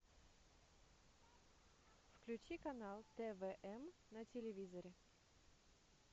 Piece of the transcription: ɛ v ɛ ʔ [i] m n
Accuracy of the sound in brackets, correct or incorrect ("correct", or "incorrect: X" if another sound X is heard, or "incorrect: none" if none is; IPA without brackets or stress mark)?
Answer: incorrect: ɛ